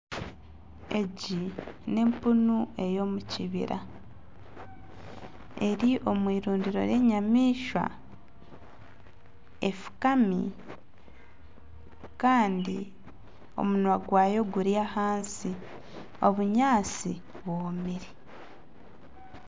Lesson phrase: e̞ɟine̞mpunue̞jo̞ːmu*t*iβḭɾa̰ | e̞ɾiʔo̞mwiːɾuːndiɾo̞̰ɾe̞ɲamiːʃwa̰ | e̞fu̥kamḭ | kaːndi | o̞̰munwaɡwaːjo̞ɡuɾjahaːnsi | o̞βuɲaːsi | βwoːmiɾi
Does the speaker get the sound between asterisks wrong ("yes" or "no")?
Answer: yes